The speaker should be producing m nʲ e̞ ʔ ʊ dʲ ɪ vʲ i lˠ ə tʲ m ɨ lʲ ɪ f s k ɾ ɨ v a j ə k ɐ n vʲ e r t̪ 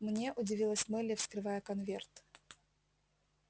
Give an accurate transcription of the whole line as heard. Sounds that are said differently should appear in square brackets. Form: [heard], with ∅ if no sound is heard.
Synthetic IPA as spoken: m nʲ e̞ ʔ ʊ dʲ ɪ vʲ i lˠ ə [sʲ] m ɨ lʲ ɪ f s k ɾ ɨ v a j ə k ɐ n vʲ e r t̪